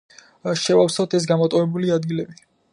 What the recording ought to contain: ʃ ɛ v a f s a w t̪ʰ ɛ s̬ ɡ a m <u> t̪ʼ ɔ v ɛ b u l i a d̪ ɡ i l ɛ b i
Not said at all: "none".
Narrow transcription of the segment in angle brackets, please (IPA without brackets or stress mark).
ɔ